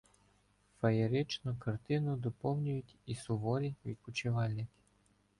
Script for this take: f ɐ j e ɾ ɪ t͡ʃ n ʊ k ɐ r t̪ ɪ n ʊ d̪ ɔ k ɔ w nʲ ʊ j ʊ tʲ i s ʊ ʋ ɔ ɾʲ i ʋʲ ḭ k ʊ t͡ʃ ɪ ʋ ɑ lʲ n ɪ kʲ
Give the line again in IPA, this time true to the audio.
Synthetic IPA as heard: f ɐ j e ɾ ɪ t͡ʃ n ʊ k ɐ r t̪ ɪ n ʊ d̪ ɔ p ɔ w nʲ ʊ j ʊ tʲ i s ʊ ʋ ɔ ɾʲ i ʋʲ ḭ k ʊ t͡ʃ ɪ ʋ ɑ lʲ n ɪ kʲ